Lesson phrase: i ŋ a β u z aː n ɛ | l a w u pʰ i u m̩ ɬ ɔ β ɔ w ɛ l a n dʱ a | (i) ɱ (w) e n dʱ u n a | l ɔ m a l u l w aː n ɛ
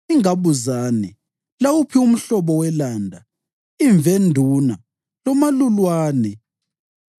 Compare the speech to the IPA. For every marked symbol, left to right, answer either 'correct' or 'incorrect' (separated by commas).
correct, incorrect